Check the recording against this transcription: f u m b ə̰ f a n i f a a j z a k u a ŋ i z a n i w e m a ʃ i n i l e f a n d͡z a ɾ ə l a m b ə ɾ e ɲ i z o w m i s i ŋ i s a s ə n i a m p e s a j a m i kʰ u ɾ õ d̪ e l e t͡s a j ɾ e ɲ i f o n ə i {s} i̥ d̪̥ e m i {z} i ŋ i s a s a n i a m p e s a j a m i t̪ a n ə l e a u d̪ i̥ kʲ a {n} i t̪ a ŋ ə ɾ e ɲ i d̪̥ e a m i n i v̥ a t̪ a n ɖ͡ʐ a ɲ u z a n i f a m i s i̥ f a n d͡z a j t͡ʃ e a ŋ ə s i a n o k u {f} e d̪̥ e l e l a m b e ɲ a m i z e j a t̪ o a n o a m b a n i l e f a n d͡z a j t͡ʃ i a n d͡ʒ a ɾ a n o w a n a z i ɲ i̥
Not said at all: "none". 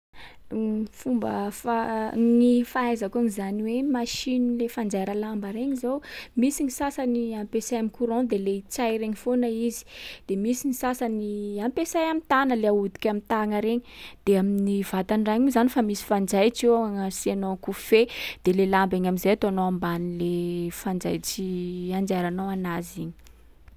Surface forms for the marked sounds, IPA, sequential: z, s, m, f

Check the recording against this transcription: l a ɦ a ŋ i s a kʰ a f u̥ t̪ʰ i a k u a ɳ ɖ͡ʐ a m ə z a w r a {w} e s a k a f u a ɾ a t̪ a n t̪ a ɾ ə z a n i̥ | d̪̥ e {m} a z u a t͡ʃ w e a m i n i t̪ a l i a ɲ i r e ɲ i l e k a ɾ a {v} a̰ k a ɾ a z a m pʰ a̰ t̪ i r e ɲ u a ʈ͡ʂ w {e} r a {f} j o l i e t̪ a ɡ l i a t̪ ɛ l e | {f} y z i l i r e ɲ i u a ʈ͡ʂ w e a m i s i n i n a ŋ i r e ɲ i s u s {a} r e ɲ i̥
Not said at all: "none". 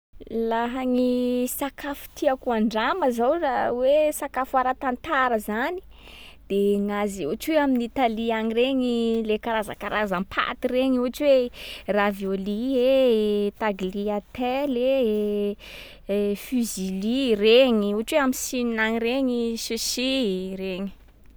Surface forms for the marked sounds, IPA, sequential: w, ŋ, z, e, v, f, i

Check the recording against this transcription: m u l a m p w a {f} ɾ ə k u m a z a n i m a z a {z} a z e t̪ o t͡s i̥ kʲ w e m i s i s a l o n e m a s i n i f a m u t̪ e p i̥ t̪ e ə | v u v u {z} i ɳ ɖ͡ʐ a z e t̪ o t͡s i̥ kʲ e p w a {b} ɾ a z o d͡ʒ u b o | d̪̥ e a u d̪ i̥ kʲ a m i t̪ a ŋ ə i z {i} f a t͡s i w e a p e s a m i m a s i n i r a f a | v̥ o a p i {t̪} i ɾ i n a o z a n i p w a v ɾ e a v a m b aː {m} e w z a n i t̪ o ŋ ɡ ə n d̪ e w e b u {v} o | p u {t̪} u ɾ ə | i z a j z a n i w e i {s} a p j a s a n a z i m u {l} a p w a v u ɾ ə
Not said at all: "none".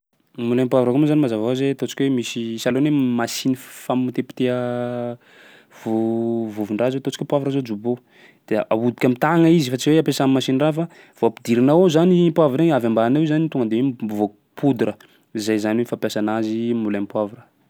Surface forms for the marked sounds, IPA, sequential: v, v, v, v, i, d̪, n, v, d̪, f, l

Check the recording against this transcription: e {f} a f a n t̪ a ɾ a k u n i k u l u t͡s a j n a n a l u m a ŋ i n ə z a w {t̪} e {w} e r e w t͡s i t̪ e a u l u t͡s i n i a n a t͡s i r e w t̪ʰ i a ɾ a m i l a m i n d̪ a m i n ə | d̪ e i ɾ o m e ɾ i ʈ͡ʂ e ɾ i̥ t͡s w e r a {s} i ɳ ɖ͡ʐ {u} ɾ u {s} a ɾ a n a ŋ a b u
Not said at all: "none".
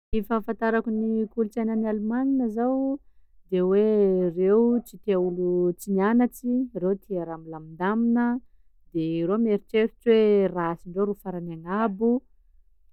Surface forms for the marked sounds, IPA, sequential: f, d̪, w, s, o, f

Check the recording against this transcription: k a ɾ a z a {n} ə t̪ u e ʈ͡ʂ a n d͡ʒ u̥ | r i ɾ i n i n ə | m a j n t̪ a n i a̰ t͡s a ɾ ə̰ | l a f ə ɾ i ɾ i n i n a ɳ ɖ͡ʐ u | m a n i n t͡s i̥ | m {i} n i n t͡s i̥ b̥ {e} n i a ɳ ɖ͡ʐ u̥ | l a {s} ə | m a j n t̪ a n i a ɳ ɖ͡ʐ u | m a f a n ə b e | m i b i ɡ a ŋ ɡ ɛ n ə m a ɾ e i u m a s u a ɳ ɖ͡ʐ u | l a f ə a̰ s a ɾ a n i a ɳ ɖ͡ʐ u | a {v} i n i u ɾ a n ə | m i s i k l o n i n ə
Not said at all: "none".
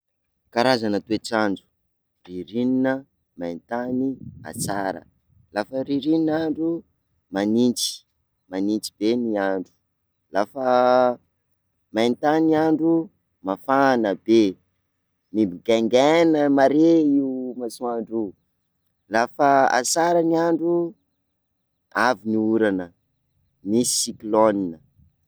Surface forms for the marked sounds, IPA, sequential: n, a, e, f, v

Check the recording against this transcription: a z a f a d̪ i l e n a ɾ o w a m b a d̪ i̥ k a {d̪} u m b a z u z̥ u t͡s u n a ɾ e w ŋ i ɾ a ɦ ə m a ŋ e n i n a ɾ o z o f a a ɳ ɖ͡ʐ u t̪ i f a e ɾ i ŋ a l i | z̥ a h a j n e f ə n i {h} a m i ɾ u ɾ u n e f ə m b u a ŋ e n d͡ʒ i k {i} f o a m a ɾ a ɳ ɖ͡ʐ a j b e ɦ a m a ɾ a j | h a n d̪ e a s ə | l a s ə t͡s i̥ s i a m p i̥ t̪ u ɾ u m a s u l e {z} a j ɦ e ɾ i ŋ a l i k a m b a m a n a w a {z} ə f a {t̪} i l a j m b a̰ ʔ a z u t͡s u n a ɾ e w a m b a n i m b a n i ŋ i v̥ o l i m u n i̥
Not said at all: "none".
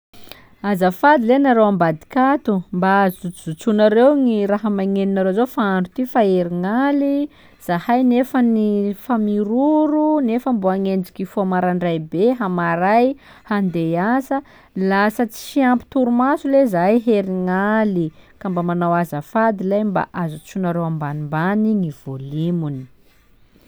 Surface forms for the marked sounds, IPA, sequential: t̪, f, i, z, z, d̪

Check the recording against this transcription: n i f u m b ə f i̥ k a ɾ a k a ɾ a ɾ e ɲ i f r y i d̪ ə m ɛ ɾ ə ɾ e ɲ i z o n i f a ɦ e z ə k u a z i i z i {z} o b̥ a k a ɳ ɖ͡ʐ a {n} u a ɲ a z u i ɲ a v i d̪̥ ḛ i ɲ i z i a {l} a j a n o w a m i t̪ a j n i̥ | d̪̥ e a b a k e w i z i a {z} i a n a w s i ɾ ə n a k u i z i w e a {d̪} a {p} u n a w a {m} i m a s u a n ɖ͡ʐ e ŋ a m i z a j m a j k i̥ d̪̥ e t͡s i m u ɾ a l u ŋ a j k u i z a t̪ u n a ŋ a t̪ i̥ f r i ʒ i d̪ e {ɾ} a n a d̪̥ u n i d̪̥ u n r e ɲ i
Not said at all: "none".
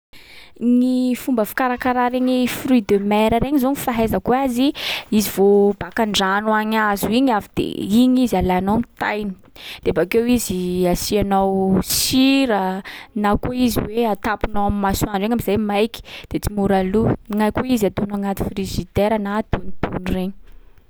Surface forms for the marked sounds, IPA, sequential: v, n, l, s, t̪, p, m, ɾ

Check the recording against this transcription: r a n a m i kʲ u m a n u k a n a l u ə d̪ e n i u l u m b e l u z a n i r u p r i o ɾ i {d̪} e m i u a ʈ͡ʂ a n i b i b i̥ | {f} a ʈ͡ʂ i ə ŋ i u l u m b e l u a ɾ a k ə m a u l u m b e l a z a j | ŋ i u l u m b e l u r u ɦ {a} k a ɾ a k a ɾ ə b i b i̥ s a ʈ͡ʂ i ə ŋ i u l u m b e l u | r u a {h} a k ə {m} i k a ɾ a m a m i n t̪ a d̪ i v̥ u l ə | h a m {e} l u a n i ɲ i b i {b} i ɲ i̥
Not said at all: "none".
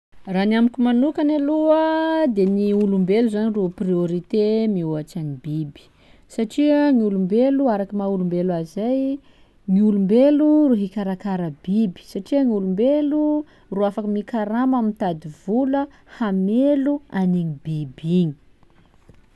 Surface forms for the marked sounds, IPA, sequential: t̪, s, i, f, m, e, b

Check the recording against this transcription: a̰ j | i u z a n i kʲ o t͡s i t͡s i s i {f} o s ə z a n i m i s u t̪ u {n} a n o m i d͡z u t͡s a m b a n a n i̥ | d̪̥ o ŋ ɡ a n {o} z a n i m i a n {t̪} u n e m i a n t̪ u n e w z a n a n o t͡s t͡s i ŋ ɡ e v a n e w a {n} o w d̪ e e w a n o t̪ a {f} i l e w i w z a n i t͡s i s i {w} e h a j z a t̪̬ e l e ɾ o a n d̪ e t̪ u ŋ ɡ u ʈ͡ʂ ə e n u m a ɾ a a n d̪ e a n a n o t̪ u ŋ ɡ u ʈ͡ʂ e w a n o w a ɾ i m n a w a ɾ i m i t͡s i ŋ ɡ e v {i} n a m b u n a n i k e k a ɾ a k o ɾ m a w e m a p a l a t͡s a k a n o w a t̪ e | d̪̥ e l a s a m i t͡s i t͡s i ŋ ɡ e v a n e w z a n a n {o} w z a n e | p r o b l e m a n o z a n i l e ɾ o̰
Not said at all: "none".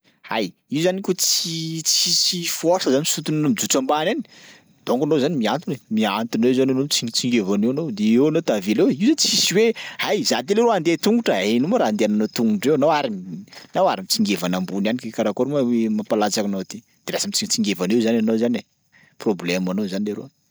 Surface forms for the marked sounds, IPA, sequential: f, n, o, t̪, n, v, w, a, o

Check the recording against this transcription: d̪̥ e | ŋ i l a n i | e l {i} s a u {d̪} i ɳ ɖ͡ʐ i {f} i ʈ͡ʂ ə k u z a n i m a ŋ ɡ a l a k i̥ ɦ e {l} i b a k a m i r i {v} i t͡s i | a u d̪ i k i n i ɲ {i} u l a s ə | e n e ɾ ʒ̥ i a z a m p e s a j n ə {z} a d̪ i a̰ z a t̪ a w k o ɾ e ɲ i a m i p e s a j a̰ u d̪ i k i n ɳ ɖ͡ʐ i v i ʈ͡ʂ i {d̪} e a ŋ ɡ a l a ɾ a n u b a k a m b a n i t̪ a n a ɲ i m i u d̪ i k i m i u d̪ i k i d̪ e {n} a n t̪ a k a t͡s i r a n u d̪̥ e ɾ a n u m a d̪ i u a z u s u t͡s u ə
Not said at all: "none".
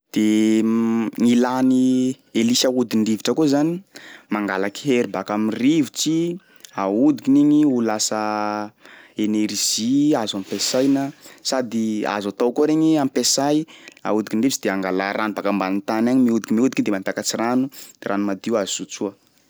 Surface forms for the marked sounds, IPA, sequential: i, d̪, v, ɾ, v, i, s, d̪, m

